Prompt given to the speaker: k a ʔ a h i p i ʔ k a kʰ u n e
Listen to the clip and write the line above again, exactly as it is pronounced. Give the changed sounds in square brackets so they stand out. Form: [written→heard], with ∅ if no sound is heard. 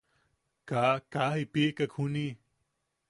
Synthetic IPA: k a [ʔ→k] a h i p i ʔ k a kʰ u n [e→i]